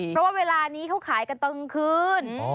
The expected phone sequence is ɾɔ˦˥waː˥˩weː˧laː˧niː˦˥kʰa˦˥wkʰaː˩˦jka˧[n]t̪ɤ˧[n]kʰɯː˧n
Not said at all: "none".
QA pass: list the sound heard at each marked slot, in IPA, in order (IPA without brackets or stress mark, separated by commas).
n, ŋ